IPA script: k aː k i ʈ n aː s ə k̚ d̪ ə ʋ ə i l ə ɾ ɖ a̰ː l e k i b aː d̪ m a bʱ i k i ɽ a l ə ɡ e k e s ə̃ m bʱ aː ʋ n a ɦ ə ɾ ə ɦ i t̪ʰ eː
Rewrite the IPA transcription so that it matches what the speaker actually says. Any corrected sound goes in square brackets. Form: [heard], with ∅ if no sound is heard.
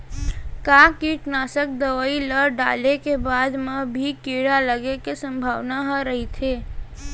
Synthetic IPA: k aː k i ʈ n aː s ə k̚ d̪ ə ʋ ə i l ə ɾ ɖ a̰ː l e k [e] b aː d̪ m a bʱ i k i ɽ a l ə ɡ e k e s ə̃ m bʱ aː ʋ n a ɦ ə ɾ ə ɦ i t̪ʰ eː

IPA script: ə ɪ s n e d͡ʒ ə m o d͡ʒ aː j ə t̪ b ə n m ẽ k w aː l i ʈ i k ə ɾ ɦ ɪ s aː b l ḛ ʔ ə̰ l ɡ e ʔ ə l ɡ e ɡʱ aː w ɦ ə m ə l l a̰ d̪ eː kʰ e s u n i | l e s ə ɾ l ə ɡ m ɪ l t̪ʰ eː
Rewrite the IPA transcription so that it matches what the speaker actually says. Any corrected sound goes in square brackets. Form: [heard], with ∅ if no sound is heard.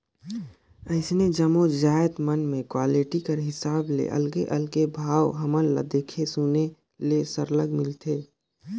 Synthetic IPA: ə ɪ s n e d͡ʒ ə m o d͡ʒ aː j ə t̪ [m] ə n m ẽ k w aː l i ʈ i k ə ɾ ɦ ɪ s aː b l ḛ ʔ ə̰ l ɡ e ʔ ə l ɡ e [bʱ] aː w ɦ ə m ə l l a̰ d̪ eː kʰ e s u n [e] | l e s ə ɾ l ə ɡ m ɪ l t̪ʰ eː

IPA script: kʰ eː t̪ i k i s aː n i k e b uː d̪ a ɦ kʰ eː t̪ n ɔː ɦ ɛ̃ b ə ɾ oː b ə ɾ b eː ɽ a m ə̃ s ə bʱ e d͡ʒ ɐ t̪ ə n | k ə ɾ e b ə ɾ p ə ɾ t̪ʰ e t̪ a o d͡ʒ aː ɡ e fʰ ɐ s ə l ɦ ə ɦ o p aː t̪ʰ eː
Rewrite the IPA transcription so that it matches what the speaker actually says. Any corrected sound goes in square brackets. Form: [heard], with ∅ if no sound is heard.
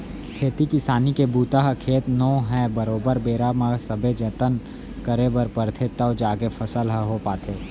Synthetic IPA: kʰ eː t̪ i k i s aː n i k e b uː [t̪] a ɦ kʰ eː t̪ n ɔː ɦ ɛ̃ b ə ɾ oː b ə ɾ b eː [ɾ] a m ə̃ s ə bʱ e d͡ʒ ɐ t̪ ə n | k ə ɾ e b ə ɾ p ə ɾ t̪ʰ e t̪ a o d͡ʒ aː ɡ e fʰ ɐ s ə l ɦ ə ɦ o p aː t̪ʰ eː

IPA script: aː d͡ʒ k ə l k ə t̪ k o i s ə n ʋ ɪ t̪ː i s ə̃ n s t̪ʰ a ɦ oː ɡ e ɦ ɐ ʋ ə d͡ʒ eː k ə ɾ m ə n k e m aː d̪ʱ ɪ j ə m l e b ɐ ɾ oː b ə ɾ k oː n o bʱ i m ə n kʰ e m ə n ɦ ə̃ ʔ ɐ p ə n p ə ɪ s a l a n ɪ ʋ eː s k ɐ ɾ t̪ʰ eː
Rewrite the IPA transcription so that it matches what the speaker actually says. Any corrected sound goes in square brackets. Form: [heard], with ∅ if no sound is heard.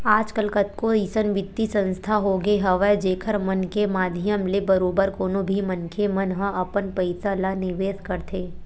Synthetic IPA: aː d͡ʒ k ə l k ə t̪ k o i s ə n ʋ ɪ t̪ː i s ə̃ n s t̪ʰ a ɦ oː ɡ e ɦ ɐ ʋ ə d͡ʒ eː [kʰ] ə ɾ m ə n k e m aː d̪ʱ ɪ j ə m l e b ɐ ɾ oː b ə ɾ k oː n o bʱ i m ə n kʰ e m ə n ɦ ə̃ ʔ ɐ p ə n p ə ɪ s a l a n ɪ ʋ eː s k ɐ ɾ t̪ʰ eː

